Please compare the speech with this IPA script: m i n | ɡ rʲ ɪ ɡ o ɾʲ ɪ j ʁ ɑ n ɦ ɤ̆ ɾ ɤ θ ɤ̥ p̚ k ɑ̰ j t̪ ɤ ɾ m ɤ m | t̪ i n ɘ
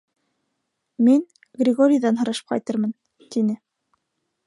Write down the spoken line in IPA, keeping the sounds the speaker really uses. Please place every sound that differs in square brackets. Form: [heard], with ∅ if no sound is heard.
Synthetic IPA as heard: m i n | ɡ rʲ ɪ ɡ o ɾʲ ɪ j [ð] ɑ n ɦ ɤ̆ ɾ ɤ [ʃ] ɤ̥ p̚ [q] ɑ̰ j t̪ ɤ ɾ m ɤ [n] | t̪ i n ɘ